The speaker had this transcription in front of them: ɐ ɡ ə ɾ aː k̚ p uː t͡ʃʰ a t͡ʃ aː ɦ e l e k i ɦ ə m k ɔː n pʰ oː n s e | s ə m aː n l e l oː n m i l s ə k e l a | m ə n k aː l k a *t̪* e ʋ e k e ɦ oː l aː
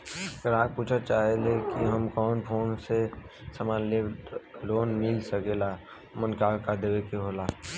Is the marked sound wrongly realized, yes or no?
yes